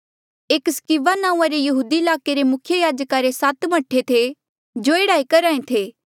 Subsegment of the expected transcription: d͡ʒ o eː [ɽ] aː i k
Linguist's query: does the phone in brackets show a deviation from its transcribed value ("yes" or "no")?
no